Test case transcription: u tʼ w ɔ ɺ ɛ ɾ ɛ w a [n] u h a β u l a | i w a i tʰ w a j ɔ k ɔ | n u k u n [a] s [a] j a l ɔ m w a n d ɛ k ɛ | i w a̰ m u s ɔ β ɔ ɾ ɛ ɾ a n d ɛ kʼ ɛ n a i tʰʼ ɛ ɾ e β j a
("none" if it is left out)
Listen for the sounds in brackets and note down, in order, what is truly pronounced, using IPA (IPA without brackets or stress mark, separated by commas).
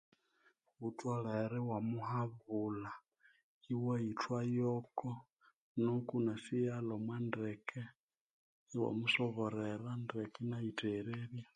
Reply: m, a, i